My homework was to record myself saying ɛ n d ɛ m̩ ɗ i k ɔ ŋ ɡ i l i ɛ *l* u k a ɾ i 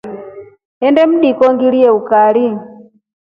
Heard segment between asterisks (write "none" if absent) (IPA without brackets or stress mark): none